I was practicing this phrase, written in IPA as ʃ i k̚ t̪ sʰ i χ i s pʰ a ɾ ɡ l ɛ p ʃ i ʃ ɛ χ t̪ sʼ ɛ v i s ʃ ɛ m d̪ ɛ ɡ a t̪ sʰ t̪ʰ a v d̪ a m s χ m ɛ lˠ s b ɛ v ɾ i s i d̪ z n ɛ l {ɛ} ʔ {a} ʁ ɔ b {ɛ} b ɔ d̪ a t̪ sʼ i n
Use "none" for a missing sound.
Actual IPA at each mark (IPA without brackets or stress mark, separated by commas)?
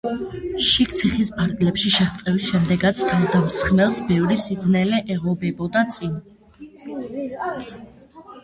ɛ, ɛ, ɛ